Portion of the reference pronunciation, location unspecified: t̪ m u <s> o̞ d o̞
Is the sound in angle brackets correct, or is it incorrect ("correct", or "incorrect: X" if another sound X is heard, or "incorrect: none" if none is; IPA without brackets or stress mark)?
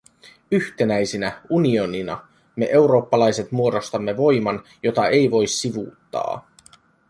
incorrect: none